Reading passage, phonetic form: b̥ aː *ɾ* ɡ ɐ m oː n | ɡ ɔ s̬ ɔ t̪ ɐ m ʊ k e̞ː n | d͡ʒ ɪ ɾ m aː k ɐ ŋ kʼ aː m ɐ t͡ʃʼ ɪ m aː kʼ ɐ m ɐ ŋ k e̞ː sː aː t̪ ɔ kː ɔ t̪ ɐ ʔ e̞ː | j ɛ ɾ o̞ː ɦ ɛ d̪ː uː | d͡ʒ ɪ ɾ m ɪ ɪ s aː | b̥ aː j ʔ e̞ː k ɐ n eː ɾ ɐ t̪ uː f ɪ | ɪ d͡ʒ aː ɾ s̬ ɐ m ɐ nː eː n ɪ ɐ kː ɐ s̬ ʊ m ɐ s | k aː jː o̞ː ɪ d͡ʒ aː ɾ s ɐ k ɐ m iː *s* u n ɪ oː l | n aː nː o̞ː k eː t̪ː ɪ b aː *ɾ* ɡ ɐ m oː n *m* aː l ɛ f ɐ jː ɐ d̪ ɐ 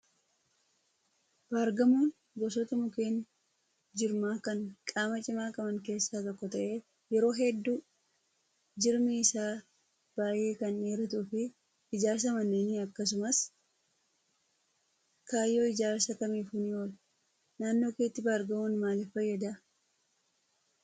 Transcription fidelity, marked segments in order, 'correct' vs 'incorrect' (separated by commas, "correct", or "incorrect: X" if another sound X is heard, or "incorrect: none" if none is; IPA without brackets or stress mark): correct, incorrect: f, correct, correct